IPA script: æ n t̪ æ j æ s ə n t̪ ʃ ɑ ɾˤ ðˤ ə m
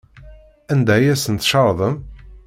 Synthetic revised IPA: æ n d̪ æ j æ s ə n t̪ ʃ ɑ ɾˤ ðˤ ə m